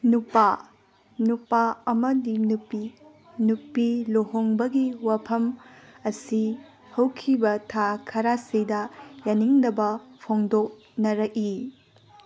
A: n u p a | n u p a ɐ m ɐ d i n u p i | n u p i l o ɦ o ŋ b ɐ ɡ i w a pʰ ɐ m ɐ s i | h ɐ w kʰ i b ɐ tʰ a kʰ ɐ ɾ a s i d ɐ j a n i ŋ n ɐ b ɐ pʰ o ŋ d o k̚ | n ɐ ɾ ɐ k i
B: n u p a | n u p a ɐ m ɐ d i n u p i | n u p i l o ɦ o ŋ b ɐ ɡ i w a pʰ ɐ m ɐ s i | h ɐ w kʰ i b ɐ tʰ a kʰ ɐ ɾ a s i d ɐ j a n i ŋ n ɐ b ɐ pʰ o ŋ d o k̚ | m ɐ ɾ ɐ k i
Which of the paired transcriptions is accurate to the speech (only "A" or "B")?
A